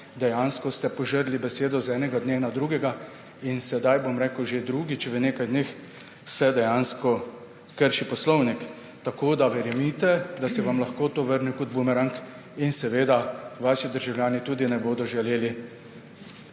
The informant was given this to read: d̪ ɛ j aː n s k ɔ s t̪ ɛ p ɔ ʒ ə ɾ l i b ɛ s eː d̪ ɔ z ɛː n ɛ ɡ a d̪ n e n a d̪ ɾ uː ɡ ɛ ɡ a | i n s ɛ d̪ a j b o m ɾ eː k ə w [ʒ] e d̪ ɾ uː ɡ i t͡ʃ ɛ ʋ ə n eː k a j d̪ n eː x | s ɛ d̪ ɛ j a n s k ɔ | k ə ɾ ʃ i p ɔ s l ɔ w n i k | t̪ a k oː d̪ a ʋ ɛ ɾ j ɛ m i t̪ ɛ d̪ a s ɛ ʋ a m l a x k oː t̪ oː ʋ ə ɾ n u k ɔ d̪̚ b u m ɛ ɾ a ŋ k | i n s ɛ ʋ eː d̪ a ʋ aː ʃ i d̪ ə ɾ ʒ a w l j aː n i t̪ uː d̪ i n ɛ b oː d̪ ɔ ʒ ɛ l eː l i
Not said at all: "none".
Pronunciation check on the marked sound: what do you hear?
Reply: ʒ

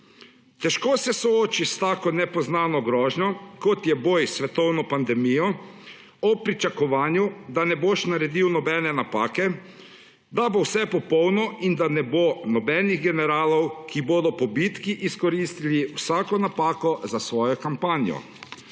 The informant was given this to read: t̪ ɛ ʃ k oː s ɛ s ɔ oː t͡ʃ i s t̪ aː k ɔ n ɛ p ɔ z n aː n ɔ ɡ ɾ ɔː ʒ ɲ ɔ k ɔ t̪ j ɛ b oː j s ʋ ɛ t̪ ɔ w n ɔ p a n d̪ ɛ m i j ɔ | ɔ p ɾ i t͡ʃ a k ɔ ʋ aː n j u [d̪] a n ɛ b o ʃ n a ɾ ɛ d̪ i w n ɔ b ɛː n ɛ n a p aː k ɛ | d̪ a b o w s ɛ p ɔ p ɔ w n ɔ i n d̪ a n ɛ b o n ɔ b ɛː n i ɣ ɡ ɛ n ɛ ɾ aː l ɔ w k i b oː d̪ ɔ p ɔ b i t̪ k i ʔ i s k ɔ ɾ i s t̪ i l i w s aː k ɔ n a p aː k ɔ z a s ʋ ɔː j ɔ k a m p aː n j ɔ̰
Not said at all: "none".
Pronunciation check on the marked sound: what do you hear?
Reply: d̪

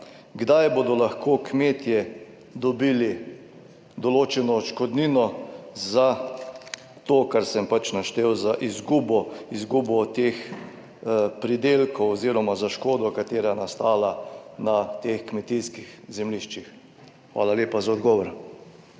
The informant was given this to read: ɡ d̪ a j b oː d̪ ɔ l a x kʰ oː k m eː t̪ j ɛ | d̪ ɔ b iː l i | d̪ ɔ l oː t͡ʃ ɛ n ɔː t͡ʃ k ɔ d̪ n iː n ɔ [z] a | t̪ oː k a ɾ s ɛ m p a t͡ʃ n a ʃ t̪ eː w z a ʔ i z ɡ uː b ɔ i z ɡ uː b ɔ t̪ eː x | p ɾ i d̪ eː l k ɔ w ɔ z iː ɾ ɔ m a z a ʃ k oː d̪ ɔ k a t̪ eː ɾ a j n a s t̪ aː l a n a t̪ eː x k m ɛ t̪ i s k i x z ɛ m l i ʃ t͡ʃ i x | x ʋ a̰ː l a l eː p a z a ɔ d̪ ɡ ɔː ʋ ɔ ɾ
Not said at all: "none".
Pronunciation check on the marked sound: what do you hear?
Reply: z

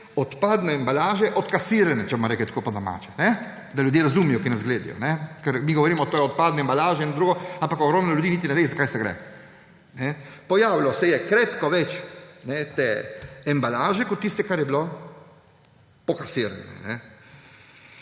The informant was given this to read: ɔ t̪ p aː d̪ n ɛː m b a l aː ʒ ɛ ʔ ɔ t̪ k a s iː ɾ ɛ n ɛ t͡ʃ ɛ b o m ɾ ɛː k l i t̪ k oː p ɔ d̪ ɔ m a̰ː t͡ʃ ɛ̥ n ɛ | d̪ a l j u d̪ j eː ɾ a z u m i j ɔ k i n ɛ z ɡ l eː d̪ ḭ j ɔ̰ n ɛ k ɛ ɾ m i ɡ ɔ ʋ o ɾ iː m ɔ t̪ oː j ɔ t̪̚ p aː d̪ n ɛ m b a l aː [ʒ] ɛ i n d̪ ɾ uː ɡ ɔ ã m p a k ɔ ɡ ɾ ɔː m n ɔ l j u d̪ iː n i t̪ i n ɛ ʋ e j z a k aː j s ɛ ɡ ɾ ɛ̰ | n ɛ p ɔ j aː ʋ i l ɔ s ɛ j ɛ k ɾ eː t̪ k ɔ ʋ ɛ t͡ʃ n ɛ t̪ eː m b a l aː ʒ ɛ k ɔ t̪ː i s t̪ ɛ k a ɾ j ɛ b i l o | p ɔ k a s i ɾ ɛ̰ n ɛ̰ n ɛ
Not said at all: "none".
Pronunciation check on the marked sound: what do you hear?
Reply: ʒ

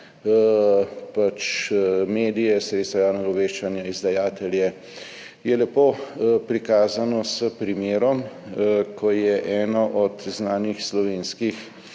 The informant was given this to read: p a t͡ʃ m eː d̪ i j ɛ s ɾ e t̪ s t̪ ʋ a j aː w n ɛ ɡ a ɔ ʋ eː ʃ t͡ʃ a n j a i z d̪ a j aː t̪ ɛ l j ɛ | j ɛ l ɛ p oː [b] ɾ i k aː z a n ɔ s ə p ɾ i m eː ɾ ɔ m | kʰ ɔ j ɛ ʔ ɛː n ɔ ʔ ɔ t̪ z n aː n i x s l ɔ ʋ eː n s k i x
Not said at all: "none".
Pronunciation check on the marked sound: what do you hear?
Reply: p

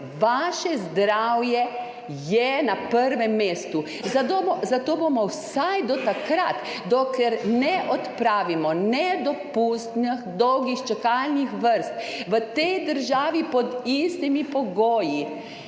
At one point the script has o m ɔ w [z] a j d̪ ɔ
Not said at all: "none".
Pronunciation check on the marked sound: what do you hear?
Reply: s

